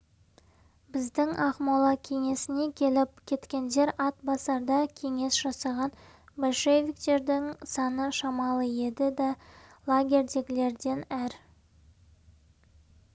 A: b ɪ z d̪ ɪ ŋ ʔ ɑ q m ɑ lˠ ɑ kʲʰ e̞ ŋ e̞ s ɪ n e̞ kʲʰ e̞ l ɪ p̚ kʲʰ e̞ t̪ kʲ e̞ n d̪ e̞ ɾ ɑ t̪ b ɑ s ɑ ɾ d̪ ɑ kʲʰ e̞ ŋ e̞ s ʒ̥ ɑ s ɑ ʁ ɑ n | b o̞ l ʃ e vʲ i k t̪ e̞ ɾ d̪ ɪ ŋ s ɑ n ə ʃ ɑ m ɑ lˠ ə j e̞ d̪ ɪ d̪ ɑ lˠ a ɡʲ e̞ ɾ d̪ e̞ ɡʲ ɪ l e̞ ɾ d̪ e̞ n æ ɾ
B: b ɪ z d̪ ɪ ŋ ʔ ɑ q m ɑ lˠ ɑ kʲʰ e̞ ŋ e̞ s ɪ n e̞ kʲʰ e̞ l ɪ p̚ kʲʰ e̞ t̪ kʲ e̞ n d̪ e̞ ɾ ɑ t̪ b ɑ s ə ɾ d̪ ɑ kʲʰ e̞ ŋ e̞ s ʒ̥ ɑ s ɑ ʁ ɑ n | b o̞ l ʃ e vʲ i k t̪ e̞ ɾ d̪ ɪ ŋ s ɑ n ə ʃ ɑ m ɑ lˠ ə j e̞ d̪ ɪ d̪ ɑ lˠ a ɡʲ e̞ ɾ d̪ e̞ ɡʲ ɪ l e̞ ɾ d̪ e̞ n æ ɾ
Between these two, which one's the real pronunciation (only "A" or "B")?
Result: A